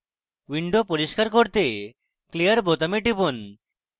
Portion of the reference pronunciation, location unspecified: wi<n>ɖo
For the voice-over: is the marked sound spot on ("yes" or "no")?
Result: no